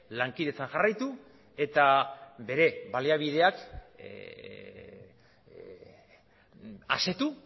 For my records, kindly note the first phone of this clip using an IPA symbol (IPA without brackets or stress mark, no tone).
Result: l